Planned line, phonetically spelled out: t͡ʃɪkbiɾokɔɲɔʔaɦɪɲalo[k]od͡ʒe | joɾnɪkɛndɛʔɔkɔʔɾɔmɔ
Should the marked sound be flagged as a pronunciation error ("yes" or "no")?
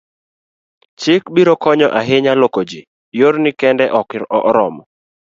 no